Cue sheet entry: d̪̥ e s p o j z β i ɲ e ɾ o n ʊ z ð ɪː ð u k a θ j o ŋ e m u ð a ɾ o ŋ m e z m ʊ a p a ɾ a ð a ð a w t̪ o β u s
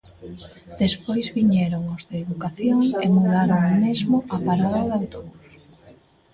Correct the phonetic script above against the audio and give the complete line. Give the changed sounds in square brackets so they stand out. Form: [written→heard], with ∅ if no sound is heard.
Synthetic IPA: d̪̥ e s p o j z β i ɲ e ɾ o [n→ŋ] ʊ z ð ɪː ð u k a θ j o ŋ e m u ð a ɾ o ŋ m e z m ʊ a p a ɾ a ð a ð a w t̪ o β u s